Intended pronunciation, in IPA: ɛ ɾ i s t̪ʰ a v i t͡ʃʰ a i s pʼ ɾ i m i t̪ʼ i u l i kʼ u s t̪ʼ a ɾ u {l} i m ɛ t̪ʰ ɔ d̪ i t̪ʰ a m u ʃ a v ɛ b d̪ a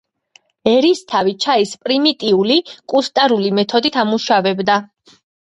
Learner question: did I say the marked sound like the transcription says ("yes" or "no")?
yes